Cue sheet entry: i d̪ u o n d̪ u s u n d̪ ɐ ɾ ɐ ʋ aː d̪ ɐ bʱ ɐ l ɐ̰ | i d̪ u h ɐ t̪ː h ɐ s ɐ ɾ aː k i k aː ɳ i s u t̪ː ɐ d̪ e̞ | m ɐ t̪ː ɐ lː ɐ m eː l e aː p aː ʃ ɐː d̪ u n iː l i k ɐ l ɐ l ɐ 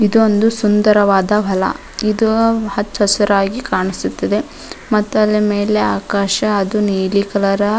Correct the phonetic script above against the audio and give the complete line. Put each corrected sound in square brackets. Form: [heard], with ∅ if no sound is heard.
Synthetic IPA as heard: i d̪ u o n d̪ u s u n d̪ ɐ ɾ ɐ ʋ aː d̪ ɐ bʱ ɐ l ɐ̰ | i d̪ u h ɐ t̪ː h ɐ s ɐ ɾ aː [ɡ] i k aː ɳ i s u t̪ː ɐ d̪ e̞ | m ɐ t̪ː ɐ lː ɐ m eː l e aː [k] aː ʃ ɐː d̪ u n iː l i k ɐ l ɐ [ɾ] ɐ

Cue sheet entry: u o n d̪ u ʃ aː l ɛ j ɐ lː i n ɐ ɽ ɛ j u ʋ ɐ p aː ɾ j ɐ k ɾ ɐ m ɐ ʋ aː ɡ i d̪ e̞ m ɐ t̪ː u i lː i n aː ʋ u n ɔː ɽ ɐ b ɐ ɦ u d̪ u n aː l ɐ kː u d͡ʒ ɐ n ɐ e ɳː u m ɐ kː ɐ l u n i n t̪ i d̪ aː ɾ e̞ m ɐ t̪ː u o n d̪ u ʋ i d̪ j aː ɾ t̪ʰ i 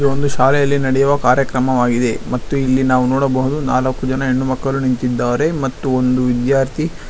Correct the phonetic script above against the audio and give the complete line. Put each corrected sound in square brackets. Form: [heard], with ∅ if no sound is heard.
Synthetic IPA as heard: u o n d̪ u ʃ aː l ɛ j ɐ lː i n ɐ ɽ ɛ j u ʋ ɐ [k] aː ɾ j ɐ k ɾ ɐ m ɐ ʋ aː ɡ i d̪ e̞ m ɐ t̪ː u i lː i n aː ʋ u n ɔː ɽ ɐ b ɐ ɦ u d̪ u n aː l ɐ kː u d͡ʒ ɐ n ɐ e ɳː u m ɐ kː ɐ l u n i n t̪ i [d̪ː] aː ɾ e̞ m ɐ t̪ː u o n d̪ u ʋ i d̪ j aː ɾ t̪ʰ i

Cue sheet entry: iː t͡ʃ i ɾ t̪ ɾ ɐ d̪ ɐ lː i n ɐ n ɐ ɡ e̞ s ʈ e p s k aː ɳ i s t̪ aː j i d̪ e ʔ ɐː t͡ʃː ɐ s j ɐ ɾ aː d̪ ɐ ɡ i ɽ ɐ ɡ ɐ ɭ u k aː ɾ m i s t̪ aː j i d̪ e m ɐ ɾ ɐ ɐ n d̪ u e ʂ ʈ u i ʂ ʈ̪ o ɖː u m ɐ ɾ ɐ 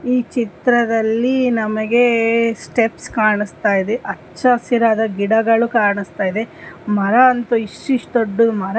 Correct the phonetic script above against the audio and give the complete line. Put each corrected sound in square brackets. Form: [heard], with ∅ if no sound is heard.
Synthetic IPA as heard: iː t͡ʃ i [∅] t̪ ɾ ɐ d̪ ɐ lː i n ɐ [m] ɐ ɡ e̞ s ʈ e p s k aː ɳ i s t̪ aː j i d̪ e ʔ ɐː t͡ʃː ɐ s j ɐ ɾ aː d̪ ɐ ɡ i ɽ ɐ ɡ ɐ ɭ u k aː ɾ [ɳ] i s t̪ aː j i d̪ e m ɐ ɾ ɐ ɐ n [t̪] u [i] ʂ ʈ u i ʂ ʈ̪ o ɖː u m ɐ ɾ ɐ

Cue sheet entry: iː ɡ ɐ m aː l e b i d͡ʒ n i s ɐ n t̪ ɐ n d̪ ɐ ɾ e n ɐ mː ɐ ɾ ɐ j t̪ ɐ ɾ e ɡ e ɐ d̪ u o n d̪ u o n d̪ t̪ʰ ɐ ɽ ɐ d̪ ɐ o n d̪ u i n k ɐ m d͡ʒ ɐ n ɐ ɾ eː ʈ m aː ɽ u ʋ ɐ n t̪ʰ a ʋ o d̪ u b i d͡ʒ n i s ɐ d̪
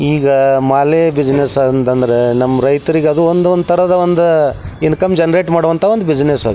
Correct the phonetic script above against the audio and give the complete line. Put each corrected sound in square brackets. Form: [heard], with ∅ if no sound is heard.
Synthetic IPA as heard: iː ɡ ɐ m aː l e b i d͡ʒ n [e] s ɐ n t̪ ɐ n d̪ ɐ ɾ e n ɐ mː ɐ ɾ ɐ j t̪ ɐ ɾ [i] ɡ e ɐ d̪ u o n d̪ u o n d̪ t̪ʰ ɐ [ɾ] ɐ d̪ ɐ o n d̪ u i n k ɐ m d͡ʒ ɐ n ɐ ɾ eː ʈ m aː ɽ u ʋ ɐ n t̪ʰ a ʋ o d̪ u b i d͡ʒ n [e] s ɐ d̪

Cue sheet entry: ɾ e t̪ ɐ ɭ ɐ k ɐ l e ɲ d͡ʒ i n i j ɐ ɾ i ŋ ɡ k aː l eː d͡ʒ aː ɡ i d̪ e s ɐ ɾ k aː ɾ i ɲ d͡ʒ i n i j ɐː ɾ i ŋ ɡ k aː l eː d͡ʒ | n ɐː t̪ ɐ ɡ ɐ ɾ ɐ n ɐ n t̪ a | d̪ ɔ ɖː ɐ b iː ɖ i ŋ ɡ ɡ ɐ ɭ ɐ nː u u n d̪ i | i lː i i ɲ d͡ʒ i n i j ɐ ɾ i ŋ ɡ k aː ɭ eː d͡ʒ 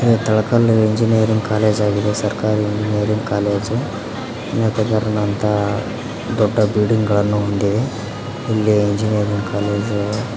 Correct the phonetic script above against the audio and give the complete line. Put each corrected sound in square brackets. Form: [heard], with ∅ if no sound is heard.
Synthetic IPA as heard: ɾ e t̪ ɐ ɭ ɐ k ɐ l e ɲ d͡ʒ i n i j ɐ ɾ i ŋ ɡ k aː l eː d͡ʒ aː ɡ i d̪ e s ɐ ɾ k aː ɾ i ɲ d͡ʒ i n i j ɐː ɾ i ŋ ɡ k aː l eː d͡ʒ | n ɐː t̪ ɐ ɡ ɐ ɾ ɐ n ɐ n t̪ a | d̪ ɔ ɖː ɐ b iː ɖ i ŋ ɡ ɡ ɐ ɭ ɐ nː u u n d̪ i | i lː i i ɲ d͡ʒ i n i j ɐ ɾ i ŋ ɡ k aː [l] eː d͡ʒ

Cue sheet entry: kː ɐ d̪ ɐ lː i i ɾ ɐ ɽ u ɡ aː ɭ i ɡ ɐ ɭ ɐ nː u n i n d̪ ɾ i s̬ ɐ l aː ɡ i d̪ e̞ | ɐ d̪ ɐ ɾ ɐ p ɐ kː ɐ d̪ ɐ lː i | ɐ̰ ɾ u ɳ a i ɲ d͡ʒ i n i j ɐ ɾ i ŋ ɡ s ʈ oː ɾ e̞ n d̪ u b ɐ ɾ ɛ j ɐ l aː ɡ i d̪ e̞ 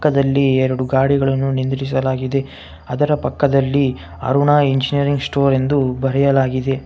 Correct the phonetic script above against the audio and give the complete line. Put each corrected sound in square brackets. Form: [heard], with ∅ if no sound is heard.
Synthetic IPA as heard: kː ɐ d̪ ɐ lː i [ɛ] ɾ ɐ ɽ u ɡ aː [ɽ] i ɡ ɐ ɭ ɐ nː u n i n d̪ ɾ i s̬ ɐ l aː ɡ i d̪ e̞ | ɐ d̪ ɐ ɾ ɐ p ɐ kː ɐ d̪ ɐ lː i | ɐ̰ ɾ u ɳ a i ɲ d͡ʒ i n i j ɐ ɾ i ŋ ɡ s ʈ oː ɾ e̞ n d̪ u b ɐ ɾ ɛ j ɐ l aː ɡ i d̪ e̞

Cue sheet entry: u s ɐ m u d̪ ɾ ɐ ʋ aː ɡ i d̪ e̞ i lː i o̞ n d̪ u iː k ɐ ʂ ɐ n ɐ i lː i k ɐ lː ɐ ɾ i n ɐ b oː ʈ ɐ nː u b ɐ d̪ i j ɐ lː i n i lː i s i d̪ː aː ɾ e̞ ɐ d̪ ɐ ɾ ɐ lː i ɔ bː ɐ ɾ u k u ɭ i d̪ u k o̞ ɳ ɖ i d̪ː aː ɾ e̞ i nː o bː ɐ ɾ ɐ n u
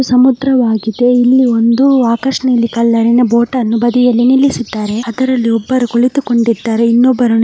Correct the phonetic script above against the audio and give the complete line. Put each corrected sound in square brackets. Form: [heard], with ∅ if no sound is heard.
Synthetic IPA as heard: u s ɐ m u d̪ ɾ ɐ ʋ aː ɡ i d̪ e̞ i lː i o̞ n d̪ u [aː] k ɐ ʂ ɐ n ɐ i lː i k ɐ lː ɐ ɾ i n ɐ b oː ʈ ɐ nː u b ɐ d̪ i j ɐ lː i n i lː i s i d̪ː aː ɾ e̞ ɐ d̪ ɐ ɾ ɐ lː i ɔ bː ɐ ɾ u k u ɭ i [t̪] u k o̞ ɳ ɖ i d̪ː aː ɾ e̞ i nː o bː ɐ ɾ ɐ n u

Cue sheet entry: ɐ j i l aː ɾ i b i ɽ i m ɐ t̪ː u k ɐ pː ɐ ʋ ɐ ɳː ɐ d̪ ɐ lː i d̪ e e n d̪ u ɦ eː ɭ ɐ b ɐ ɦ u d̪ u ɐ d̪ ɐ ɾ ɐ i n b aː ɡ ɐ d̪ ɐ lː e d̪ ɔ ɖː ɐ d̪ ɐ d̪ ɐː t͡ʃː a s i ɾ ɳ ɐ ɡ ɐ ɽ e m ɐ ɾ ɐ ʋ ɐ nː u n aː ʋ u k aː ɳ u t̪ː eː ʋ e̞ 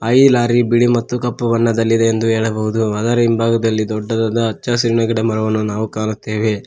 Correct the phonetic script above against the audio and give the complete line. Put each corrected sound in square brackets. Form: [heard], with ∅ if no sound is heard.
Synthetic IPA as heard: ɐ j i l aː ɾ i b i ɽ i m ɐ t̪ː u k ɐ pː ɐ ʋ ɐ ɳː ɐ d̪ ɐ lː i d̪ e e n d̪ u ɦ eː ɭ ɐ b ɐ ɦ u d̪ u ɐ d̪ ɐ ɾ ɐ i [m] b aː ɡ ɐ d̪ ɐ lː [i] d̪ ɔ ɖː ɐ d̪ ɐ d̪ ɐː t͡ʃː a s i ɾ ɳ ɐ ɡ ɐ ɽ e m ɐ ɾ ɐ ʋ ɐ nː u n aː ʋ u k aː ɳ u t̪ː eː ʋ e̞

